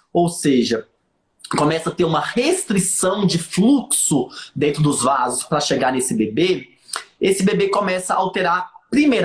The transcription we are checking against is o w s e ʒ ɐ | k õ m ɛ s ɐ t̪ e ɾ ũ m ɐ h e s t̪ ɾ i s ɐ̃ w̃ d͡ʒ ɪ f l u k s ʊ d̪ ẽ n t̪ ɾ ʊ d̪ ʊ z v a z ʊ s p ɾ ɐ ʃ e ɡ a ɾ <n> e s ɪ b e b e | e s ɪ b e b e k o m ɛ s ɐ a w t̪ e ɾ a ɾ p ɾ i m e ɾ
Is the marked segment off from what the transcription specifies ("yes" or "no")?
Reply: no